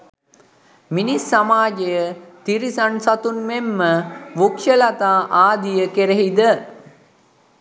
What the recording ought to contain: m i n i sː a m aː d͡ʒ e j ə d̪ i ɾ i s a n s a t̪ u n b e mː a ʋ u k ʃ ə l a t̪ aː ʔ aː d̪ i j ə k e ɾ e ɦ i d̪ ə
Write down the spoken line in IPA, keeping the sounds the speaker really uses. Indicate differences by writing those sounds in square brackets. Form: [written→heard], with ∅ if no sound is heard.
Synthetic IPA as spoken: m i n i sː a m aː d͡ʒ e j ə [d̪→t̪] i ɾ i s a n s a t̪ u n [b→m] e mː [a→ə] ʋ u k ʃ ə l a t̪ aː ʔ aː d̪ i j ə k e ɾ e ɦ i d̪ ə